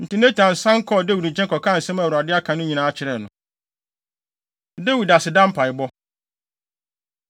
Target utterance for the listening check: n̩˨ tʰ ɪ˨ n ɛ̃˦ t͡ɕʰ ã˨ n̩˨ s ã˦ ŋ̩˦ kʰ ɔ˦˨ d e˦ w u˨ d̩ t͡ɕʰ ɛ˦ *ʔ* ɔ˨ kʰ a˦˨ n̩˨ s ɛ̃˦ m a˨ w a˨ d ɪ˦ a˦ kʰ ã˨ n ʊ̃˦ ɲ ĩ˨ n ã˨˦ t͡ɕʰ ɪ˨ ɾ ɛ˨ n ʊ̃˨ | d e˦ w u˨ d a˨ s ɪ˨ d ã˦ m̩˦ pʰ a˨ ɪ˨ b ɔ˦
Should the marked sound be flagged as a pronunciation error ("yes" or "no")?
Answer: yes